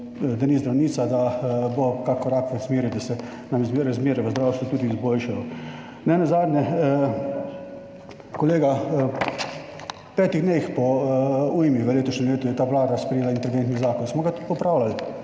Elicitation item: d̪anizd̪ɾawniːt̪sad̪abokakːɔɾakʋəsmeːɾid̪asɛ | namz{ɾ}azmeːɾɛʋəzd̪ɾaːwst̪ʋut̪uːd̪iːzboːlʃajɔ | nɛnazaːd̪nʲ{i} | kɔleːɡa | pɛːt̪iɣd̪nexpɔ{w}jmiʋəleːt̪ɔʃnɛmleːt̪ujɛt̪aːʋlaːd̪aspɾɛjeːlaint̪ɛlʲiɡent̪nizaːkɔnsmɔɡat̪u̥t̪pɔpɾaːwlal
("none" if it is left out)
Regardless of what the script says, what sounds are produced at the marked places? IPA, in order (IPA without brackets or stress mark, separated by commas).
ɾ, ɛ, u